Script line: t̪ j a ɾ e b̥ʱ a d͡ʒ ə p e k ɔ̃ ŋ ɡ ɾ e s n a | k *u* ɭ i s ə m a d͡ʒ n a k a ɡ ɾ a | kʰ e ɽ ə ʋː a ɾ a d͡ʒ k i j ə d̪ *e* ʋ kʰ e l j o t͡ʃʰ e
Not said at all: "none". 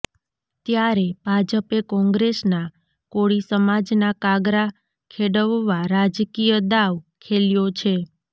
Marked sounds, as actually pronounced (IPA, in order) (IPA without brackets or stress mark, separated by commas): o, a